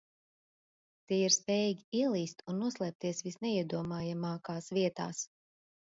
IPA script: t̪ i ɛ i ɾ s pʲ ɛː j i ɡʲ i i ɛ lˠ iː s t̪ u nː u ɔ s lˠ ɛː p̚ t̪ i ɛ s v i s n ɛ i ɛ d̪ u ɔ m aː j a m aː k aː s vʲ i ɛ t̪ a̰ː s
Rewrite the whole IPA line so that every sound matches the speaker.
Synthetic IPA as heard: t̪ i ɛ i ɾ s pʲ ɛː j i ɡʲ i i ɛ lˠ iː s t̪ u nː u ɔ s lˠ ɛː p̚ t̪ i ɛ s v i s n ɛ i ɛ d̪ u ɔ m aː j a m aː k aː s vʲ i ɛ t̪ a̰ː s